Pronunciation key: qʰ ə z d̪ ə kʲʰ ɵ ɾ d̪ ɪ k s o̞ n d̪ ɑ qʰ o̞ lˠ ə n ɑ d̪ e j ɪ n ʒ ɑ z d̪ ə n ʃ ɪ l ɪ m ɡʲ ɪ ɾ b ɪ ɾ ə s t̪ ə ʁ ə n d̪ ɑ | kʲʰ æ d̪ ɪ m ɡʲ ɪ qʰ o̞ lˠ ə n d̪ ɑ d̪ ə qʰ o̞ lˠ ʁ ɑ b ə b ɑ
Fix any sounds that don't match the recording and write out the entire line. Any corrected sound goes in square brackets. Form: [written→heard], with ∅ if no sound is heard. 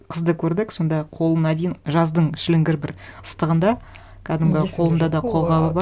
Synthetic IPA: qʰ ə z d̪ ə kʲʰ ɵ ɾ d̪ ɪ k s o̞ n d̪ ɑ qʰ o̞ lˠ ə n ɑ d̪ e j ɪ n ʒ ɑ z d̪ ə [n→ɴ] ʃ ɪ l ɪ [m→ŋ] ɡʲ ɪ ɾ b ɪ ɾ ə s t̪ ə ʁ ə n d̪ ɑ | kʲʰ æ d̪ ɪ m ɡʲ ɪ qʰ o̞ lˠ ə n d̪ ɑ d̪ [ə→ɑ] qʰ o̞ lˠ ʁ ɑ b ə b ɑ